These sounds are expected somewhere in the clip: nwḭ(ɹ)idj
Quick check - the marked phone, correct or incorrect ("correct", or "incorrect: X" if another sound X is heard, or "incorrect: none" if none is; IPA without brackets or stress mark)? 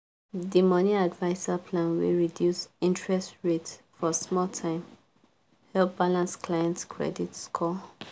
correct